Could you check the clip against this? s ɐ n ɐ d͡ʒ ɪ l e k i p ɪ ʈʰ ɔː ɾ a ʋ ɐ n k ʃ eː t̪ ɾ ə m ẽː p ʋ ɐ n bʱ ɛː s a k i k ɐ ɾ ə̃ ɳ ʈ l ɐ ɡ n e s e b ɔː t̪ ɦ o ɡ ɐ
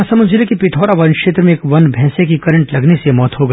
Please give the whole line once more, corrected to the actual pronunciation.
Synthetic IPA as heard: s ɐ m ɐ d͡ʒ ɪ l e k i p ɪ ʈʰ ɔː ɾ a ʋ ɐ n k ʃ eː t̪ ɾ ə m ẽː k ʋ ɐ n bʱ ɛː s e k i k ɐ ɾ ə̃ ɳ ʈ l ɐ ɡ n e s e m ɔː t̪ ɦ o ɡ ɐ